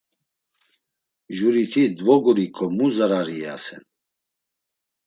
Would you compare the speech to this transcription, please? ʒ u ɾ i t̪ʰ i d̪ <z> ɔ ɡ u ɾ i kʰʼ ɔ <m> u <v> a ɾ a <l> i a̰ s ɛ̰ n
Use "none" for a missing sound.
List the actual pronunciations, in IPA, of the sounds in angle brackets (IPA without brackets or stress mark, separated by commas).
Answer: v, m, z, ɾ